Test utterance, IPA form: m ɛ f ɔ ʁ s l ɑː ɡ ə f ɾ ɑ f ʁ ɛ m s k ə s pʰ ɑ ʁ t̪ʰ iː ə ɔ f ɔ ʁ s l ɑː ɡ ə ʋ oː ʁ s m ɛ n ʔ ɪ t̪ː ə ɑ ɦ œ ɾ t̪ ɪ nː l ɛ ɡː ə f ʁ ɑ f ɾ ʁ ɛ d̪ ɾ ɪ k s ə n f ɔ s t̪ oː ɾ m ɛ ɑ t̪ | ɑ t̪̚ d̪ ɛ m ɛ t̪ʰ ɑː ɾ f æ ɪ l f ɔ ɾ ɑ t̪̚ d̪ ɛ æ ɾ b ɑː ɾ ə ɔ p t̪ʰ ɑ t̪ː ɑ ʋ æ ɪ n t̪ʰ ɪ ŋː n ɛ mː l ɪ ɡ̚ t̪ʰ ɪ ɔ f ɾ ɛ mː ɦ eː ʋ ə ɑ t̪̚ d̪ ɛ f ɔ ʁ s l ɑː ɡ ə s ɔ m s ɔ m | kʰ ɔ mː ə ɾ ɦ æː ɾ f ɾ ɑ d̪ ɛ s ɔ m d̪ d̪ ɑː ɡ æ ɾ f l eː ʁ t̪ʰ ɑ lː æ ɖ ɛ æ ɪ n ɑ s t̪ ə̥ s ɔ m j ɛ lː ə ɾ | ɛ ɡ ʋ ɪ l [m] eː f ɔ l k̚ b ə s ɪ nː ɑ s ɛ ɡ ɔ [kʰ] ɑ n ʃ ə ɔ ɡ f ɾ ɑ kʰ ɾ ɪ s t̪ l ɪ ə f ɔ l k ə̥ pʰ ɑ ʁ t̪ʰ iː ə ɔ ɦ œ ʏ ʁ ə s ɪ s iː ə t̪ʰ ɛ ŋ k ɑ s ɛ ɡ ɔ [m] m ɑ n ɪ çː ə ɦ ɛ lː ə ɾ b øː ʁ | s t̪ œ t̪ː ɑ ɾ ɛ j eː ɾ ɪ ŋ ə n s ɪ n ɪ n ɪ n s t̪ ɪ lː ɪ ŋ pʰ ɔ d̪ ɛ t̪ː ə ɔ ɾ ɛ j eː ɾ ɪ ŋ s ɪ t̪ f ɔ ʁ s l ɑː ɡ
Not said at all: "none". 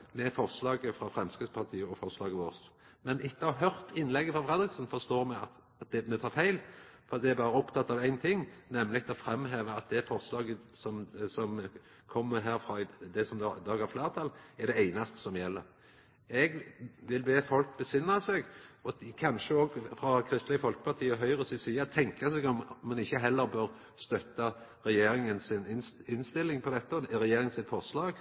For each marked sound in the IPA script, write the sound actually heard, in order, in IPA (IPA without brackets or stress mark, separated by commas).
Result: b, kʰ, m